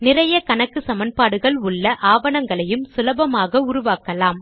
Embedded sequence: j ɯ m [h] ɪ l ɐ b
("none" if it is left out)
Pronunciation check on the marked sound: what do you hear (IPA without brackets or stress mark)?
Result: s